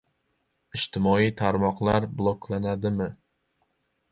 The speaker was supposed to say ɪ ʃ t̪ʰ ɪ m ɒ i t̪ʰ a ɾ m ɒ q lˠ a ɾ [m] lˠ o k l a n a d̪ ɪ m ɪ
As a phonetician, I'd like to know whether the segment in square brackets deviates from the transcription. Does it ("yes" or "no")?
yes